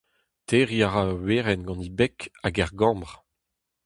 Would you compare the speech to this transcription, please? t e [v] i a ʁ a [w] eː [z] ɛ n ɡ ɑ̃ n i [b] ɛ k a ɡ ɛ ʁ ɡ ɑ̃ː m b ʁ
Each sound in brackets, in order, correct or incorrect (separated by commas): incorrect, correct, incorrect, correct